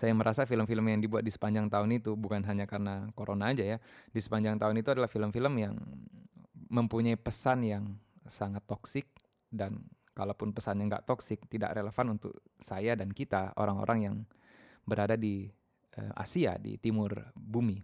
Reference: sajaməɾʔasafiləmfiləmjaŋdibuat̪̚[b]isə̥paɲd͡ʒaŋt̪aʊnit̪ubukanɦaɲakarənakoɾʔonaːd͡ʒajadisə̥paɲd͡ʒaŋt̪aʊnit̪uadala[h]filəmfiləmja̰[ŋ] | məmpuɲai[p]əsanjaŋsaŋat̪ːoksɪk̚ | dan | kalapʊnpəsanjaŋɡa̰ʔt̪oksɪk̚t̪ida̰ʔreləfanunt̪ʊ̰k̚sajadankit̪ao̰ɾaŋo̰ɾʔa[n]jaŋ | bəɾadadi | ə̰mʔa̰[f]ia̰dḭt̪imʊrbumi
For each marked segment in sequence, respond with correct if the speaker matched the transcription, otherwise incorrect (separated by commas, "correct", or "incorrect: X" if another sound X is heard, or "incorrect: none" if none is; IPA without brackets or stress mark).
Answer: incorrect: d, correct, correct, correct, incorrect: ŋ, incorrect: s